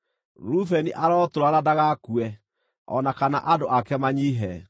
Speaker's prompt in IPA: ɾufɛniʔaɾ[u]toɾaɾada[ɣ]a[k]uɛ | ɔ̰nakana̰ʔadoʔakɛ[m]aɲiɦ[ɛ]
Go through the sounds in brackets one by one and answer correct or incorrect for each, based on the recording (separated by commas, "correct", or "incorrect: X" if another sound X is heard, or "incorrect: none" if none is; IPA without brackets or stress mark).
incorrect: ɔ, correct, correct, correct, correct